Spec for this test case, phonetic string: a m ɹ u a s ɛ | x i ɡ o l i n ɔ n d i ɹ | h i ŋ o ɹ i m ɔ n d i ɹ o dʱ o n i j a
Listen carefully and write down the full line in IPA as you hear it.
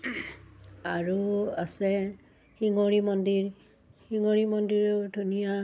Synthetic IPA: a ɹ u a s ɛ | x i ŋ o ɹ i m ɔ n d i ɹ | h i ŋ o ɹ i m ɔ n d i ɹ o dʱ u n i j a